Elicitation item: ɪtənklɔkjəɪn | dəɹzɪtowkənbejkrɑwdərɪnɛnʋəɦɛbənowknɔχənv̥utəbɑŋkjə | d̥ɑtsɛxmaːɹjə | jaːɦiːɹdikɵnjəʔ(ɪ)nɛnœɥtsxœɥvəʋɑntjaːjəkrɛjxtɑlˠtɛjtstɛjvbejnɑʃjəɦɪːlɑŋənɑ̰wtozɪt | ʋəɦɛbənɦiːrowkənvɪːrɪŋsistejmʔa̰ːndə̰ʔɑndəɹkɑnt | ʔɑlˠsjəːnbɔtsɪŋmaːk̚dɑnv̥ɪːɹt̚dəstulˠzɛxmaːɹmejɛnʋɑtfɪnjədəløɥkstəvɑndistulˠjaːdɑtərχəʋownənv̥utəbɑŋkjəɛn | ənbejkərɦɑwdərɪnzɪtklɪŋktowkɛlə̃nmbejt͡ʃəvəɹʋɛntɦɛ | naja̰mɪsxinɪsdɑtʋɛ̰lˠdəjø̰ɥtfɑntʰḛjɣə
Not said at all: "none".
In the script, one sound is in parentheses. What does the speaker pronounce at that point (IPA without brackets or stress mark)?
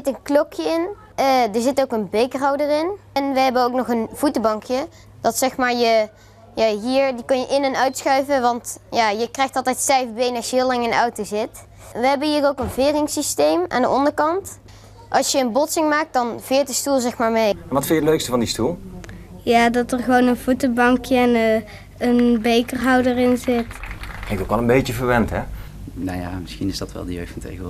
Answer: ɪ